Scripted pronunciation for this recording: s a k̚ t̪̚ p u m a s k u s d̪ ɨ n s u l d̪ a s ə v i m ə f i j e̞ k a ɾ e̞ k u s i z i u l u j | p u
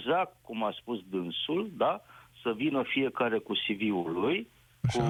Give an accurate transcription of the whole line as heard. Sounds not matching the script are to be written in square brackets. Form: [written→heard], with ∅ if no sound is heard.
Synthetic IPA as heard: [s→z] a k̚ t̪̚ [p→k] u m a s [k→p] u s d̪ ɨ n s u l d̪ a s ə v i [m→n] ə f i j e̞ k a ɾ e̞ k u s i [z→v] i u l u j | [p→k] u